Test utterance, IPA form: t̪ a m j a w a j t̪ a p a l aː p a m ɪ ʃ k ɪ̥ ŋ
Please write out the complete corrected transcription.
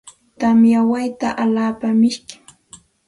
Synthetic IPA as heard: t̪ a m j a w a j t̪ a ʔ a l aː p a m ɪ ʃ k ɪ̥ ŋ